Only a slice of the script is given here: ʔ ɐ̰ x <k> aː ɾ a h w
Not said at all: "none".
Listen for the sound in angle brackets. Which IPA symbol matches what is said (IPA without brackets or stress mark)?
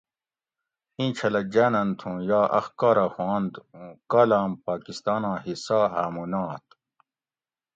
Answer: k